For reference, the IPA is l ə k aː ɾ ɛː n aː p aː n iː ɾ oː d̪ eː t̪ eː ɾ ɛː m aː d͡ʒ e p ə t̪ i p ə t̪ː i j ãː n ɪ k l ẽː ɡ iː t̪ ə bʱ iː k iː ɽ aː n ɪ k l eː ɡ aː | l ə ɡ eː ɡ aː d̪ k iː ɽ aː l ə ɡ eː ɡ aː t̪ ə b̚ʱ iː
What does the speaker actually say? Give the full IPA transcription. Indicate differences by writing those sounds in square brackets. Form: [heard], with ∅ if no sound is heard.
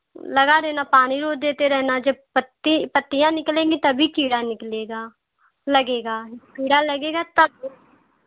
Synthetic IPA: l ə [ɡ] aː ɾ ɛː n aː p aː n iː ɾ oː d̪ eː t̪ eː ɾ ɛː [n] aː d͡ʒ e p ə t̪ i p ə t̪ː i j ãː n ɪ k l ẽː ɡ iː t̪ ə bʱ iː k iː ɽ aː n ɪ k l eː ɡ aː | l ə ɡ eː ɡ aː [∅] k iː ɽ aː l ə ɡ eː ɡ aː t̪ ə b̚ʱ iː